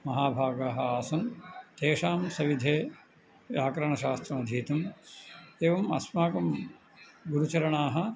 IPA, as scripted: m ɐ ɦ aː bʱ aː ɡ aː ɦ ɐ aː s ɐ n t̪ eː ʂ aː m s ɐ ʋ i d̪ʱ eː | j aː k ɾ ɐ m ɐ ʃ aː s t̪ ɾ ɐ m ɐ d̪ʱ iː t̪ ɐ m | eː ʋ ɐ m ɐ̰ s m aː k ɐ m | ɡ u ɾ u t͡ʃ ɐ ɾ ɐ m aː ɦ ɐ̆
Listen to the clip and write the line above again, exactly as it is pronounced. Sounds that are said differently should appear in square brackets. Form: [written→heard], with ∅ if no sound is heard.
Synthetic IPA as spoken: m ɐ ɦ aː bʱ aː ɡ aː ɦ ɐ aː s ɐ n t̪ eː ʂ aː m s ɐ ʋ i d̪ʱ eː | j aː k ɾ ɐ [m→ɳ] ɐ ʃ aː s t̪ ɾ ɐ m ɐ d̪ʱ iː t̪ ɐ m | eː ʋ ɐ m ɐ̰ s m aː k ɐ m | ɡ u ɾ u t͡ʃ ɐ ɾ ɐ [m→ɳ] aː ɦ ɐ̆